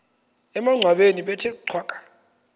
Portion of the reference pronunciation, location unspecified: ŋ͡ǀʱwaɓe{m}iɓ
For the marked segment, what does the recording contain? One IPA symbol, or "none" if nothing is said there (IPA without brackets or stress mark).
n